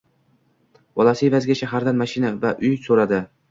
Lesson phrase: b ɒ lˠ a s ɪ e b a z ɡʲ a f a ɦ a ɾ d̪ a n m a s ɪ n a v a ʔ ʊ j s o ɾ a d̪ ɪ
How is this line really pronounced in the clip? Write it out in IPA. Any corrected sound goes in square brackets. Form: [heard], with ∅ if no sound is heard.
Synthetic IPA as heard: b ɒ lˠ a s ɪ e [v] a z ɡʲ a [ʃ] a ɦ a ɾ d̪ a n m a [ʃ] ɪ n a v a ʔ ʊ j s o ɾ a d̪ ɪ